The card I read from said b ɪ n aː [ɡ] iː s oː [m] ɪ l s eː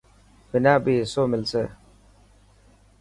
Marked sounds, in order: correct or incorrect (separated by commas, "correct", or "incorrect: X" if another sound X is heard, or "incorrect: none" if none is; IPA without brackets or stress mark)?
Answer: incorrect: b, correct